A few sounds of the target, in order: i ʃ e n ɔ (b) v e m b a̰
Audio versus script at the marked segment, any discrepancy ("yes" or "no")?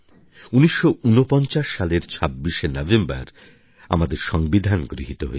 yes